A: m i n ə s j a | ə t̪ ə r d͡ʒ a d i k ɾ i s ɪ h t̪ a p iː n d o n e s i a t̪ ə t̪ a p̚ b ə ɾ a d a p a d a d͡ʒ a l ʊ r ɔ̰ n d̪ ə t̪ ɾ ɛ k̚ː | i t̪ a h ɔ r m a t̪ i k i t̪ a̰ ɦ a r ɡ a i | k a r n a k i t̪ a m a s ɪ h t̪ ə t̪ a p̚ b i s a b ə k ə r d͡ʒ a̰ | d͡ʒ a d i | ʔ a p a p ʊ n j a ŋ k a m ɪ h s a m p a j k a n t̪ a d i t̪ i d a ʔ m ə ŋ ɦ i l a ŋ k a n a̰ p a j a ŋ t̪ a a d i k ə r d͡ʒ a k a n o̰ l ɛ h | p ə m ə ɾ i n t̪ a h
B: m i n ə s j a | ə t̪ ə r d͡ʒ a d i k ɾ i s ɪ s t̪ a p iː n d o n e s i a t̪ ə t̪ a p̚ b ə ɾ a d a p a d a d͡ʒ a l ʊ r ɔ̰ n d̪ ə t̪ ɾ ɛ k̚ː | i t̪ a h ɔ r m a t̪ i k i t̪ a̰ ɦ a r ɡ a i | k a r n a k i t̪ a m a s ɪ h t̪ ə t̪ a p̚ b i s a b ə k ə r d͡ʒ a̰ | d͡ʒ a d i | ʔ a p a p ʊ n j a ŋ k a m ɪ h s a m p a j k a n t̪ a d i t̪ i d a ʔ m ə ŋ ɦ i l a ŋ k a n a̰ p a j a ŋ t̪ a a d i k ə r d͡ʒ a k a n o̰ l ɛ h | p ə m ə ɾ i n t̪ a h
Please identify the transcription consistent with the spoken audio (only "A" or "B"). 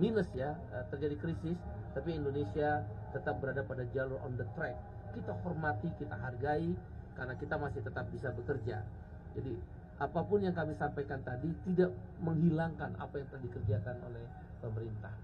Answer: B